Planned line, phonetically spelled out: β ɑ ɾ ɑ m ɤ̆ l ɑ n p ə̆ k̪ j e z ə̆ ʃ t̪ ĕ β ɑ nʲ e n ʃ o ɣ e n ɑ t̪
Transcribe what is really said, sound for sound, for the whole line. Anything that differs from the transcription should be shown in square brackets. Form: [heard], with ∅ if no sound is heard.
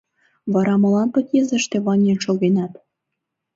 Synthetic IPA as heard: β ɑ ɾ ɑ m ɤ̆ l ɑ n p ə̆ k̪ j e z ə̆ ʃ t̪ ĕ β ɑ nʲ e n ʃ o ɣ e n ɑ t̪

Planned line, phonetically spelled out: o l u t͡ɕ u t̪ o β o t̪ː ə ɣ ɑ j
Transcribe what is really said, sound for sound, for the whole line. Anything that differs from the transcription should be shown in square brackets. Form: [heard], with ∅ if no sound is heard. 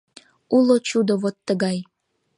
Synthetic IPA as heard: [u] l [o] t͡ɕ u [d̪] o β o t̪ː ə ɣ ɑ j

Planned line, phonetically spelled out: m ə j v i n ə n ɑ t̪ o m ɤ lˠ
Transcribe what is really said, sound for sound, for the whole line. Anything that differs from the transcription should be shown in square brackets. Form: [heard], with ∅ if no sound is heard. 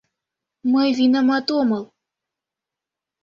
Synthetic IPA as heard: m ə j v i n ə [m] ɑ t̪ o m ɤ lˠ

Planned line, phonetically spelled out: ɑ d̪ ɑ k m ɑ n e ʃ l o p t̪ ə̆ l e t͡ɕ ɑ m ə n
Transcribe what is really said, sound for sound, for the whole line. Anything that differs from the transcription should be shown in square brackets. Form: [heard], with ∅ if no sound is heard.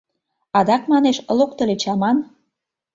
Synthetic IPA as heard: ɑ d̪ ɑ k m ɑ n e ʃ l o [k] t̪ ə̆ l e t͡ɕ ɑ m [ɑ] n

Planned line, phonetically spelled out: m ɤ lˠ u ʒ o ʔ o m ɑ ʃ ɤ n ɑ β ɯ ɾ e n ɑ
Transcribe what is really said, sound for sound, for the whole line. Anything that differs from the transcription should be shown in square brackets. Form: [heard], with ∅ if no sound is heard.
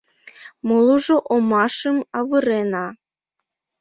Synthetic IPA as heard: m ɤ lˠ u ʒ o ʔ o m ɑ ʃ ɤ [m] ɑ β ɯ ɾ e n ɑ

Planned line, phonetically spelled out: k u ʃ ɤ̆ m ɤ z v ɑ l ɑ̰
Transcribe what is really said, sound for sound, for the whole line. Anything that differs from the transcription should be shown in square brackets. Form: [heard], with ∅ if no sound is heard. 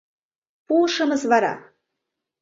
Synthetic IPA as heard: [p] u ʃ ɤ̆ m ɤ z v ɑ [ɾ] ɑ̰

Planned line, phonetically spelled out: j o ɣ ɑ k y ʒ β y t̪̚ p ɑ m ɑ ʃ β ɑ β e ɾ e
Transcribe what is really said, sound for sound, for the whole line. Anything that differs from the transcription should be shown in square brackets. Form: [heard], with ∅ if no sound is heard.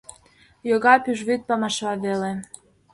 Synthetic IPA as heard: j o ɣ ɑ [p] y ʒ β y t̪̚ p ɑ m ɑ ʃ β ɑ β e [l] e

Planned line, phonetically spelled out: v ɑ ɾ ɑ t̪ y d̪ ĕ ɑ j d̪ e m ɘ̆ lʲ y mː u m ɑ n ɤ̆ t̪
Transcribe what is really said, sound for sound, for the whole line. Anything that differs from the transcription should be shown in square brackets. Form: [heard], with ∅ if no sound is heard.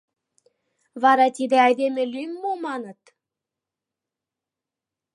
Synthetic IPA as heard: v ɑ ɾ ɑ t̪ [i] d̪ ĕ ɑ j d̪ e m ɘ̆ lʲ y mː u m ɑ n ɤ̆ t̪

